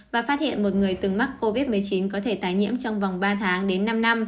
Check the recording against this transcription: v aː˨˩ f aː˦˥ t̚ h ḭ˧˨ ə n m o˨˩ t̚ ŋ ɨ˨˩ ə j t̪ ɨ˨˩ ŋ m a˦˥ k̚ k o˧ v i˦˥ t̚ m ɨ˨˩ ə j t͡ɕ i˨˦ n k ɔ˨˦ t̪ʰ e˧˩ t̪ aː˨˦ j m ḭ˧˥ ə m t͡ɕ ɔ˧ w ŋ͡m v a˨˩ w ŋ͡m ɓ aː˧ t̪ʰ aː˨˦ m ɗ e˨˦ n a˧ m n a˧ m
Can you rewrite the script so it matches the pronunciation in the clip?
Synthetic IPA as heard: v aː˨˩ f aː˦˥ t̚ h ḭ˧˨ ə n m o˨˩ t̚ ŋ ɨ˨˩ ə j t̪ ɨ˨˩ ŋ m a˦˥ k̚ k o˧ v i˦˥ t̚ m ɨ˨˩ ə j t͡ɕ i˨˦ n k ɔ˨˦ t̪ʰ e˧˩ t̪ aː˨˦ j ɲ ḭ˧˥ ə m t͡ɕ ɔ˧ w ŋ͡m v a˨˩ w ŋ͡m ɓ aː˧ t̪ʰ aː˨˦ ŋ ɗ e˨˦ nː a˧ m n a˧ m